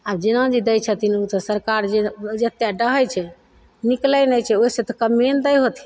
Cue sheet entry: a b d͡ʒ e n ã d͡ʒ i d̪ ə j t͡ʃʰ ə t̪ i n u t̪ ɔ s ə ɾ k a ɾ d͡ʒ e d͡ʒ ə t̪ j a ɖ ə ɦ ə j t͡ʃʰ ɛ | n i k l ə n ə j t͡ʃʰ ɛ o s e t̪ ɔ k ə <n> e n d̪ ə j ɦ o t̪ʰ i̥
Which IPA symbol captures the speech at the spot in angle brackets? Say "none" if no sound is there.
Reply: m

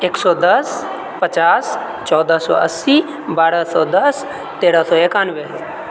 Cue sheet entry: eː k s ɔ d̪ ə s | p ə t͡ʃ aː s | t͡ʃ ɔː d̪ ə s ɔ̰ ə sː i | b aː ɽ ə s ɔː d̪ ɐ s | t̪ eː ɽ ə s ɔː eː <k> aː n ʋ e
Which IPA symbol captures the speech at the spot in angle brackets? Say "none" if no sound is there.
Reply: k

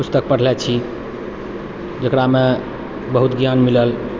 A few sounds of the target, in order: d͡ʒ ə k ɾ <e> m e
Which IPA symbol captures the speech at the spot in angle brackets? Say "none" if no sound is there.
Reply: a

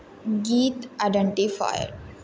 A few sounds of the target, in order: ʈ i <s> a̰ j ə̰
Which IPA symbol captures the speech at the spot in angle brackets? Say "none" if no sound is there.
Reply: f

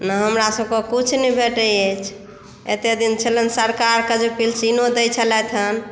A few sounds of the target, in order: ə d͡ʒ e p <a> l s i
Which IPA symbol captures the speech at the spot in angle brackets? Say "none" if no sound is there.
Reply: i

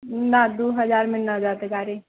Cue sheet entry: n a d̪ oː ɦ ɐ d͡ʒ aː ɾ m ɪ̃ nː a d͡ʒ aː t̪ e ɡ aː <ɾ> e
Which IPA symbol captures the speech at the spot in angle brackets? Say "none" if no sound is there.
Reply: ɾ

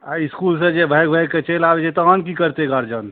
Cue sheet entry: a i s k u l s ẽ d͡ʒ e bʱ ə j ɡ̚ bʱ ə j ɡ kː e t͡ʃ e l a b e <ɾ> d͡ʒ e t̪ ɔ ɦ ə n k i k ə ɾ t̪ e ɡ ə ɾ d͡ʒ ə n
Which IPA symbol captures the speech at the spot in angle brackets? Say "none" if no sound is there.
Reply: none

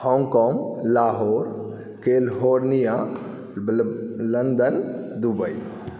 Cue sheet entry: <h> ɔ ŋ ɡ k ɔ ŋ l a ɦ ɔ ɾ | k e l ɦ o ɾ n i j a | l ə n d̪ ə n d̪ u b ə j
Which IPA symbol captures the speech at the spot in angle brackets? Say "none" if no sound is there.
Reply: h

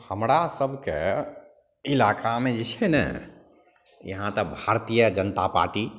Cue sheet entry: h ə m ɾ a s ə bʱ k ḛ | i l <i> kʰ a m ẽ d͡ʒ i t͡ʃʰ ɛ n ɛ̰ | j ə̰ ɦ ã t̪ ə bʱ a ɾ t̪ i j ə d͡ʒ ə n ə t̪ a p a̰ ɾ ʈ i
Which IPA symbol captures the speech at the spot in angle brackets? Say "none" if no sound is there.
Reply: a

